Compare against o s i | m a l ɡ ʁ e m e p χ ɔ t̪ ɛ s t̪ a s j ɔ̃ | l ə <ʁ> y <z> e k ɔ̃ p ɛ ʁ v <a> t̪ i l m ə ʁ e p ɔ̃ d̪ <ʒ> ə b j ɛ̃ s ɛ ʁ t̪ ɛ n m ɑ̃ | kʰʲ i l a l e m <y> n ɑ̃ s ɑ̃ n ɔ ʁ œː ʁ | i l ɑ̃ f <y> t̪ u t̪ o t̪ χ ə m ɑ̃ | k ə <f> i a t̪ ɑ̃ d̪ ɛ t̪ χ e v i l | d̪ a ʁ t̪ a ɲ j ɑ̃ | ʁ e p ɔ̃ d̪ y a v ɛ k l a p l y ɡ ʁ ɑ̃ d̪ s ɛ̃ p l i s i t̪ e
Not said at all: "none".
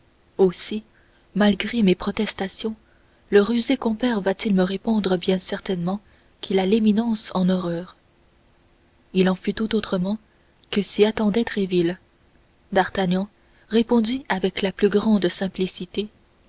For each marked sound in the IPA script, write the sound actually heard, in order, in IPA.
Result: ʁ, z, a, ʁ, i, y, s

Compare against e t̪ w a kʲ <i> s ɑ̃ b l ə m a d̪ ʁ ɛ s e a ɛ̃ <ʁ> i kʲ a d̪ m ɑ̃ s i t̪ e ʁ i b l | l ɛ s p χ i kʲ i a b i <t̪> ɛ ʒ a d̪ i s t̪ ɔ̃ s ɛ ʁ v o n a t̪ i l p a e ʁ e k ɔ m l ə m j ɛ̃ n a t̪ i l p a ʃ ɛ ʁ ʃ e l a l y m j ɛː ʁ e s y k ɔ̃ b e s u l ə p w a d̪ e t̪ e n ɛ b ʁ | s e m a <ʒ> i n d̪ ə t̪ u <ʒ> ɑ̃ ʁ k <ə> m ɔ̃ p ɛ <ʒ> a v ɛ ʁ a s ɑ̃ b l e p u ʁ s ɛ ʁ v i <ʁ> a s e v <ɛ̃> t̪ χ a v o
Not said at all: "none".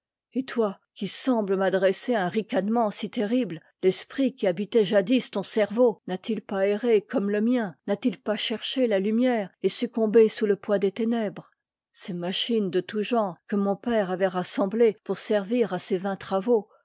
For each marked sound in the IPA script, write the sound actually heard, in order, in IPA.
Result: i, ʁ, t̪, ʃ, ʒ, ə, ʁ, ʁ, ɛ̃

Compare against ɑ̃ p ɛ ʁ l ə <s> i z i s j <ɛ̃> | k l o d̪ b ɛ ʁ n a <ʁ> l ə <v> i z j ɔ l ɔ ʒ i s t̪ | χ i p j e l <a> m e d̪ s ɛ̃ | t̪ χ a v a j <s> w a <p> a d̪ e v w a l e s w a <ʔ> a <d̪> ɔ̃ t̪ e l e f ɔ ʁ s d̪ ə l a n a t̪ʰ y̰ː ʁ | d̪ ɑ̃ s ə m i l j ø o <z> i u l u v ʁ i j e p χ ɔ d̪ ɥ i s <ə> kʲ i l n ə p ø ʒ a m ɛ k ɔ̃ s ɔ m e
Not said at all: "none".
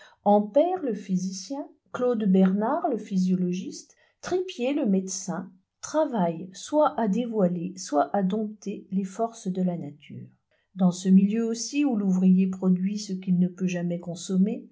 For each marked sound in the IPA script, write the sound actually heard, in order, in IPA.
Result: f, ɛ̃, ʁ, f, ə, s, ʔ, ʔ, d̪, s, ə

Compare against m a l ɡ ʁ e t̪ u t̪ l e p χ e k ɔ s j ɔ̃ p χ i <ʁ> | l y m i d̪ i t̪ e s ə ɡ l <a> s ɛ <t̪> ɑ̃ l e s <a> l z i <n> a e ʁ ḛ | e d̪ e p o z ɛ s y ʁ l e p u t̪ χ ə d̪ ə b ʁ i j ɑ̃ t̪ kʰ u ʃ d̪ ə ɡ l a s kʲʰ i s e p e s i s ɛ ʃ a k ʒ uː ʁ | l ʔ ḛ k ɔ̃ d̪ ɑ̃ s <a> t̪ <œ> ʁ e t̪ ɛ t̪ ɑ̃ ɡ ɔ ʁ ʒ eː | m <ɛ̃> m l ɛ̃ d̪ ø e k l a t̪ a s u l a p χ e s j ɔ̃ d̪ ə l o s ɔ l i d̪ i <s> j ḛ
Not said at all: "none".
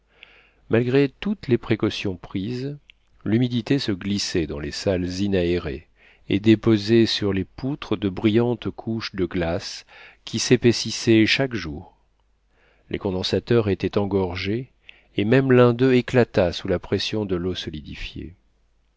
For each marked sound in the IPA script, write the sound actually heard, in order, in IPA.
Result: z, i, d̪, a, n, a, œ, ɛ, f

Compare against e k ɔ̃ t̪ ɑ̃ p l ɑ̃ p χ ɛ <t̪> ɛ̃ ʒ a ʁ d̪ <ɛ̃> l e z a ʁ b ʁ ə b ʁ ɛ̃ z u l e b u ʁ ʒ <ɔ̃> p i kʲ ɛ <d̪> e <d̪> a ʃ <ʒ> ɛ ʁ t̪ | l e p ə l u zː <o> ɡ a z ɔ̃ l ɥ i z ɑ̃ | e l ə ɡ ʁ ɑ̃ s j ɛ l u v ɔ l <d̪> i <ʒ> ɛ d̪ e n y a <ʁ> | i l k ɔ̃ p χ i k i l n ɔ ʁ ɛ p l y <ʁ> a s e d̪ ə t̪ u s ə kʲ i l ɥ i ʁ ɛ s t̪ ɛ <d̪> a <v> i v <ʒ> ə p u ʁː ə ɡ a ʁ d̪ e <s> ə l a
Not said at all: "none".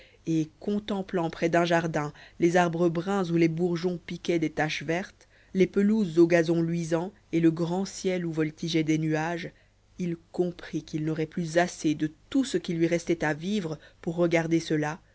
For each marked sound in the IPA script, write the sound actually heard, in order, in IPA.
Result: d̪, ɛ̃, ɔ̃, d̪, t̪, v, o, t̪, ʒ, ʒ, z, t̪, v, ʁ, s

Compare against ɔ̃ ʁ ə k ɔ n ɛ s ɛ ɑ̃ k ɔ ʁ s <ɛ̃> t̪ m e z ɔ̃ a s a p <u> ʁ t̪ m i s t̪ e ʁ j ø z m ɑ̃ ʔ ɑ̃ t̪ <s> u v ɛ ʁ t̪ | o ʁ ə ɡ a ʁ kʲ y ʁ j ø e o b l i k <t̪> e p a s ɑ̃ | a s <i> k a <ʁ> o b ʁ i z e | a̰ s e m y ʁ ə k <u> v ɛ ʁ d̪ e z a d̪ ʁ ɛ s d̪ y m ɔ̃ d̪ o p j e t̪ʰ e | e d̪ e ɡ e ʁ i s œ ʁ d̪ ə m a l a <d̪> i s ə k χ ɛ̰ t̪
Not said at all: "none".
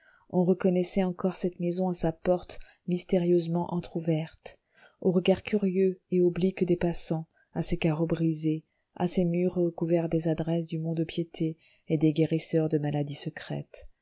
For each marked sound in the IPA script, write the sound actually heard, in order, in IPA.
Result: ɛ, ɔ, χ, d̪, e, ʁ, u, d̪

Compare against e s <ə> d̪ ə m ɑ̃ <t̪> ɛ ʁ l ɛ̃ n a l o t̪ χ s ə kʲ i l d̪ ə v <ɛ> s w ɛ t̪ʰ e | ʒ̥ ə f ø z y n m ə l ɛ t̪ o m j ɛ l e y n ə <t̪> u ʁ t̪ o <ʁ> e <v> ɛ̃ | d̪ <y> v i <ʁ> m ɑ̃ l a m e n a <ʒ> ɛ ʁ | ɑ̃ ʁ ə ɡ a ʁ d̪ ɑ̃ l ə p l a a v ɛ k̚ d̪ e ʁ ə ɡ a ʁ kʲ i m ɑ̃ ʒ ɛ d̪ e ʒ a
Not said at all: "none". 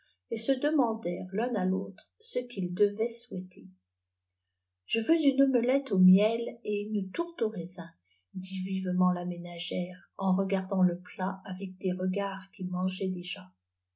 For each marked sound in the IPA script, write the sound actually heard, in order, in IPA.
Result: ə, d̪, ɛ, t̪, ʁ, z, i, v, ʒ

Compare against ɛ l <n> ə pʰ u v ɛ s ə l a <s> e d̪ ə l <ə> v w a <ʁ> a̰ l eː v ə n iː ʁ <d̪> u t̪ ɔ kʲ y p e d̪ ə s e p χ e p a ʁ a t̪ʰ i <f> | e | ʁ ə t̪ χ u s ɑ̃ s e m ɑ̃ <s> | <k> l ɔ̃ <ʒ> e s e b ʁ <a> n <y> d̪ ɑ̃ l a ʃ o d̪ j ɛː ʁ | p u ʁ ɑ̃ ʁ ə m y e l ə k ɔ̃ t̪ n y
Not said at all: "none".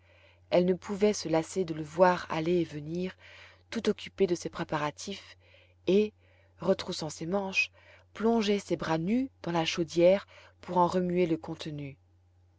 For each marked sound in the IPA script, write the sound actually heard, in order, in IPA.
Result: n, s, ə, ʁ, t̪, f, ʃ, p, ʒ, a, y

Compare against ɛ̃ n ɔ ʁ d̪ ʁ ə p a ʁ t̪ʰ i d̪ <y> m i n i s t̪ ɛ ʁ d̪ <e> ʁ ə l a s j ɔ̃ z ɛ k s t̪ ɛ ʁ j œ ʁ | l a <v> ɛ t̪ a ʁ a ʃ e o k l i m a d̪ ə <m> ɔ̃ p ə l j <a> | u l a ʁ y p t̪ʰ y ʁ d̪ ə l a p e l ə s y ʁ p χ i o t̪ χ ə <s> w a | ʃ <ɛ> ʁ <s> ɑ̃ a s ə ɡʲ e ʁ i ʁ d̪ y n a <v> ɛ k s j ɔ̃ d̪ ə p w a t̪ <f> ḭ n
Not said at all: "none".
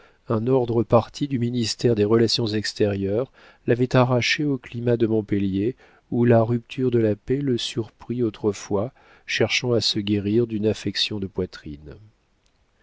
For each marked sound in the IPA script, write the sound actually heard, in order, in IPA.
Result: y, e, v, m, e, f, ɛ, ʃ, f, χ

